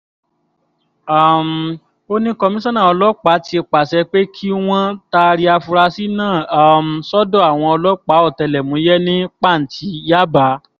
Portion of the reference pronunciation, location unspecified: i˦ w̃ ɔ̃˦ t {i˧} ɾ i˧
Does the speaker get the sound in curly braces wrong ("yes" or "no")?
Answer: yes